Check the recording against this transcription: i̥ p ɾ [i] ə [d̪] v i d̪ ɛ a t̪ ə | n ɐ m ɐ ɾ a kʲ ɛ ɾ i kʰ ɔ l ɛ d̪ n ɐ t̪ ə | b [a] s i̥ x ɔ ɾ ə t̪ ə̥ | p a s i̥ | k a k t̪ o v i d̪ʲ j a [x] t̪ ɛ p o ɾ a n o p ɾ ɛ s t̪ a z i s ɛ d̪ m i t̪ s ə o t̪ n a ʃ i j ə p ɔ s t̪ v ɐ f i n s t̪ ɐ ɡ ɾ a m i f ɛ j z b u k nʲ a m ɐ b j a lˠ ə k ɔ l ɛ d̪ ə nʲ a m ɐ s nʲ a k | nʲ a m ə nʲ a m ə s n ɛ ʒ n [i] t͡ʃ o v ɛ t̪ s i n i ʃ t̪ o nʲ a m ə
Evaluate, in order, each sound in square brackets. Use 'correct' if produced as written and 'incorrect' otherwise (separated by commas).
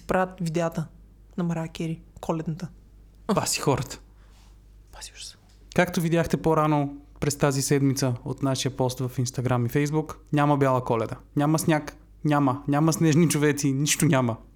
incorrect, incorrect, correct, correct, correct